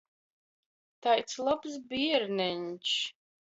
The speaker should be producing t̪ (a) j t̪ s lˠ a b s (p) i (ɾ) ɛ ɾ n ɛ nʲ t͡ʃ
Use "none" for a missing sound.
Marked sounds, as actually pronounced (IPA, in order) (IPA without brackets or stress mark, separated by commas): a, b, none